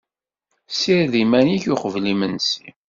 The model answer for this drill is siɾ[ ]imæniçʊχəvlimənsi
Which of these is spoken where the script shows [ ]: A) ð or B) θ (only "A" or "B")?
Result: A